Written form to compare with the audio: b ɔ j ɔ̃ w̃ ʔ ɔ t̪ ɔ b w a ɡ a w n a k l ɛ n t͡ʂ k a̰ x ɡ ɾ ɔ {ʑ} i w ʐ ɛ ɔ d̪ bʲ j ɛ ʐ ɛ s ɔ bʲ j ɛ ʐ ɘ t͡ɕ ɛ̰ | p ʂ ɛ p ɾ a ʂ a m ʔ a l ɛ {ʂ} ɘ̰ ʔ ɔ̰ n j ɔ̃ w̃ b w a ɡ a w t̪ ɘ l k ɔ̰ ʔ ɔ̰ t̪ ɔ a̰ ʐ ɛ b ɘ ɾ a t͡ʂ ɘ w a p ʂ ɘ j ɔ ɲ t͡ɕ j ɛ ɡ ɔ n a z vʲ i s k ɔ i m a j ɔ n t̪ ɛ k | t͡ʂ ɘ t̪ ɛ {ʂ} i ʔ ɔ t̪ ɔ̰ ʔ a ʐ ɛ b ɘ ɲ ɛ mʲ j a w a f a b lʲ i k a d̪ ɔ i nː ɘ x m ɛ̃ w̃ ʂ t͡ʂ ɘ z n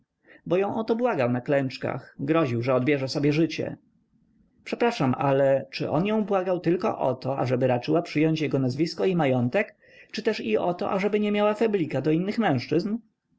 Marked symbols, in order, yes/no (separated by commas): yes, no, yes